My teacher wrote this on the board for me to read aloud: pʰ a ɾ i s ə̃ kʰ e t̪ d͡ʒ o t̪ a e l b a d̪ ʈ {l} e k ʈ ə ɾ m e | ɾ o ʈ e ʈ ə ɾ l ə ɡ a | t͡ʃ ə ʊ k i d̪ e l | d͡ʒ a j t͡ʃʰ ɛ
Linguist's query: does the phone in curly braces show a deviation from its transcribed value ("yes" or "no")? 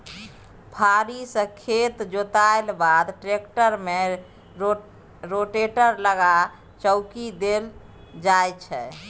yes